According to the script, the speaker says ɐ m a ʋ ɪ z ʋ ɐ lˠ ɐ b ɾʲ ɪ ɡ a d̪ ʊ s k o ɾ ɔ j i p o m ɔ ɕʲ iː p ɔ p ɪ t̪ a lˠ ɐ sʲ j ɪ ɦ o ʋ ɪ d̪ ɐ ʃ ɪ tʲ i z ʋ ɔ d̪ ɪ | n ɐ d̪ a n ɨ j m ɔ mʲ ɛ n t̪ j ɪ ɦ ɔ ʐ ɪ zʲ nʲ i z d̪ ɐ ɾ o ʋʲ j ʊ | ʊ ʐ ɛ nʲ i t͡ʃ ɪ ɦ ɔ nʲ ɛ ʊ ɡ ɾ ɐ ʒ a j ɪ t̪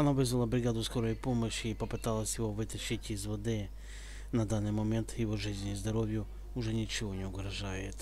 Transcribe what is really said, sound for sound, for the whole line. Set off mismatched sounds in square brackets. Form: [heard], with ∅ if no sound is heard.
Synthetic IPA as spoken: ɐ [n] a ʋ ɪ z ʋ ɐ lˠ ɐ b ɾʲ ɪ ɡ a d̪ ʊ s k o ɾ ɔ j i p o m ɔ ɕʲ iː p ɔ p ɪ t̪ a lˠ ɐ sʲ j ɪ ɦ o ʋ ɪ [t̪] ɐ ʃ ɪ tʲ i z ʋ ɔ d̪ ɪ | n ɐ d̪ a n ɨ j m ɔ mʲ ɛ n t̪ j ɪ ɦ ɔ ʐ ɪ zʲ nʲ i z d̪ ɐ ɾ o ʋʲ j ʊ | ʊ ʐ ɛ nʲ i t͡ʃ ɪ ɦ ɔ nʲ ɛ ʊ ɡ ɾ ɐ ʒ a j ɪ t̪